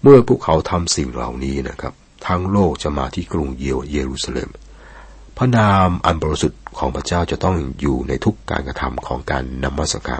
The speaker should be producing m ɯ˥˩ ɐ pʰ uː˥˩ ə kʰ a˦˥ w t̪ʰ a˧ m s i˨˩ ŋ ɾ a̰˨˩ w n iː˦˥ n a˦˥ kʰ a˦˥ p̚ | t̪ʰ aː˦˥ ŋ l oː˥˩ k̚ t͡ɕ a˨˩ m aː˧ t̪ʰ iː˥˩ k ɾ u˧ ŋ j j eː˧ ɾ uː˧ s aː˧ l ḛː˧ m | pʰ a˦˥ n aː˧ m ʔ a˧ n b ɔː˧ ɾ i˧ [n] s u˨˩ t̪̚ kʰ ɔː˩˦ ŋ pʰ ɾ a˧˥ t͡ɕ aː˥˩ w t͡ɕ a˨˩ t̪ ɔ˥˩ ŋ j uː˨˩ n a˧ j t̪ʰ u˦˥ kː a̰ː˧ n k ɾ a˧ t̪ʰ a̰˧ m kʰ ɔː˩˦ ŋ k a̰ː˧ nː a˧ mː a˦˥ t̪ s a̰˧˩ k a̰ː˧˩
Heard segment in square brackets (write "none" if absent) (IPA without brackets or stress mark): none